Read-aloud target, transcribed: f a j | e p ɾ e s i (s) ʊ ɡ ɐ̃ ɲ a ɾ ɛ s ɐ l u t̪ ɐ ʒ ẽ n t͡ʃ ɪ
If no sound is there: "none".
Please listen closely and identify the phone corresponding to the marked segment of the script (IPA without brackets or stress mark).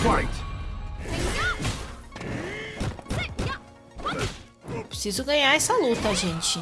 z